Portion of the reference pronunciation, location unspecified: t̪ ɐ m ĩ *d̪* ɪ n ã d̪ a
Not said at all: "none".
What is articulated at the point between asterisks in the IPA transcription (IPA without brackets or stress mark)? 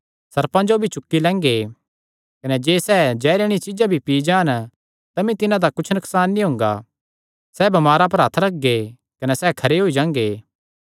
t̪